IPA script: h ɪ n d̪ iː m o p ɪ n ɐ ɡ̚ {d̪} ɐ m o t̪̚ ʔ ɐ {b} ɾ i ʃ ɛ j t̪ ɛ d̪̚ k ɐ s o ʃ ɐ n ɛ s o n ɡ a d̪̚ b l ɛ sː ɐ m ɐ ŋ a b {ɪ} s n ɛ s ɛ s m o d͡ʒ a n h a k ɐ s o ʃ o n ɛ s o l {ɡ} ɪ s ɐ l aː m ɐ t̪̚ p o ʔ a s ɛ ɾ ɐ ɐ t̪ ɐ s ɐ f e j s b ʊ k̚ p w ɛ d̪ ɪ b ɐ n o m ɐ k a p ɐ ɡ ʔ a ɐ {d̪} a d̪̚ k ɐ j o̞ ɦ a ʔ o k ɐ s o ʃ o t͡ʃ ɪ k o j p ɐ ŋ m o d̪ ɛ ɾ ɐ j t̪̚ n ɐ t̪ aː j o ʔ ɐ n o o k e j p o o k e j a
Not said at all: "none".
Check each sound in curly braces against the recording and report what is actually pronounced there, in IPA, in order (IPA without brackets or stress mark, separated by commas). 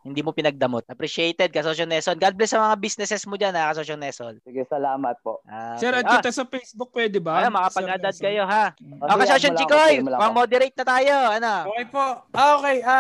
d̪, p, i, ɡ, d̪